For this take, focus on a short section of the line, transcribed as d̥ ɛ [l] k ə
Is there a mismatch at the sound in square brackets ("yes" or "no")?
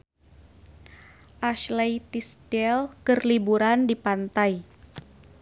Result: no